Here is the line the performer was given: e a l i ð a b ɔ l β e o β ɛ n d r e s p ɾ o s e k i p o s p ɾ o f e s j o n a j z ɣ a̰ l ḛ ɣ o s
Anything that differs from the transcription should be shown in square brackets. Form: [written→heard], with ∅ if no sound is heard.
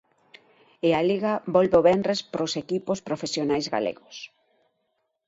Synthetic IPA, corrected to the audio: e a l i [ð→ɣ] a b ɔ l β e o β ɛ n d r e s p ɾ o s e k i p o s p ɾ o f e s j o n a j z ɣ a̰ l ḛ ɣ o s